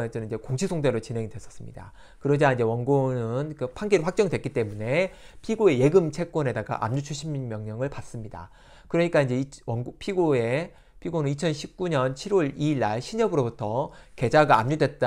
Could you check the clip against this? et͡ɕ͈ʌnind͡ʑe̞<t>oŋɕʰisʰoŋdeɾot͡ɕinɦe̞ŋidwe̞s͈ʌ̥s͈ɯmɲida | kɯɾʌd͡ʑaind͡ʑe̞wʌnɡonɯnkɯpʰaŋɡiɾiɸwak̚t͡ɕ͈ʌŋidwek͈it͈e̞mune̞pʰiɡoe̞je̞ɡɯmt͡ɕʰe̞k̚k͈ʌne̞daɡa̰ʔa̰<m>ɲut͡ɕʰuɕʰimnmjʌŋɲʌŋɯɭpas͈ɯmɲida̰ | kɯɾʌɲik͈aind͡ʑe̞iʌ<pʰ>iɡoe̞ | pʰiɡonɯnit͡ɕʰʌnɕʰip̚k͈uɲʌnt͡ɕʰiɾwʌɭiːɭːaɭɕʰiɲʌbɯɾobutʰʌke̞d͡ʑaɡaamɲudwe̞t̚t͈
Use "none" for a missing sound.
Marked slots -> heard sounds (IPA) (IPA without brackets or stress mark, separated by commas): k, m, pʰ